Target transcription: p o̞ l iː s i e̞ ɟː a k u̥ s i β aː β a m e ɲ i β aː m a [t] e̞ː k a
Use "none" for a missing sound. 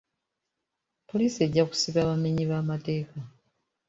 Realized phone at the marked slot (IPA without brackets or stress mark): t